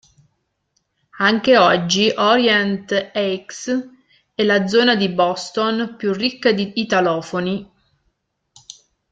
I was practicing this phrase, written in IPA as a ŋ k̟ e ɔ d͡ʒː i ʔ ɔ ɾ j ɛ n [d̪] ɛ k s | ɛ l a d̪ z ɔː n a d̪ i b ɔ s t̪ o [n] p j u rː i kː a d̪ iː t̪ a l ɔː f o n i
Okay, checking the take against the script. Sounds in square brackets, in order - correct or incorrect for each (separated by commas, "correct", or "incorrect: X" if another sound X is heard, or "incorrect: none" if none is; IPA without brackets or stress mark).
incorrect: t̪, correct